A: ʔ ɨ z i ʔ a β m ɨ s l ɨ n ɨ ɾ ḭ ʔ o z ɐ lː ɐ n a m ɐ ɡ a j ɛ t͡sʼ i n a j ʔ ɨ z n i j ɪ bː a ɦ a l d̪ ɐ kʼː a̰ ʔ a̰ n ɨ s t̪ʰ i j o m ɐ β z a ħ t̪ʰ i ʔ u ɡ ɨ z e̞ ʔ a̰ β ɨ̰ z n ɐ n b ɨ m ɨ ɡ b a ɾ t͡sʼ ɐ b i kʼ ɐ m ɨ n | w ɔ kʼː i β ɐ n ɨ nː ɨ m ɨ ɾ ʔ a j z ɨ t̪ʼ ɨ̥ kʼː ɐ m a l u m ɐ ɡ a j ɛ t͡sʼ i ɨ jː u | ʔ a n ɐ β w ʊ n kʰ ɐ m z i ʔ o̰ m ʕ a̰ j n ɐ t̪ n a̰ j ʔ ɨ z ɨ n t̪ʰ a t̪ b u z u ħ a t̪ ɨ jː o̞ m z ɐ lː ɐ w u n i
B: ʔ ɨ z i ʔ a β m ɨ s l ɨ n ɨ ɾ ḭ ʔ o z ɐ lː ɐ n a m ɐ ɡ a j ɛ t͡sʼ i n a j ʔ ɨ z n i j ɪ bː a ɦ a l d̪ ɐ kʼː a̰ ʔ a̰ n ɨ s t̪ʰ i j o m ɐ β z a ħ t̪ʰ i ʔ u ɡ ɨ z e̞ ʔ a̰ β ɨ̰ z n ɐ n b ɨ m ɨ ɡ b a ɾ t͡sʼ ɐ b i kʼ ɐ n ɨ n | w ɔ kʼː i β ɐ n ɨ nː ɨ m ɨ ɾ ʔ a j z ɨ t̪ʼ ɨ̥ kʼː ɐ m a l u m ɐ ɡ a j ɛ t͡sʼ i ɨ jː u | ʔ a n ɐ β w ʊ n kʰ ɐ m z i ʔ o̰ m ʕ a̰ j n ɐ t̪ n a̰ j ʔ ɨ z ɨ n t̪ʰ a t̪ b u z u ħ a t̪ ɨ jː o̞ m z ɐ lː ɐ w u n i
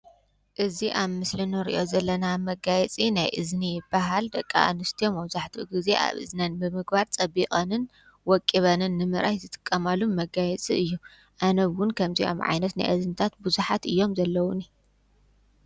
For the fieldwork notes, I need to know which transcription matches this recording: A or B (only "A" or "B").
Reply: B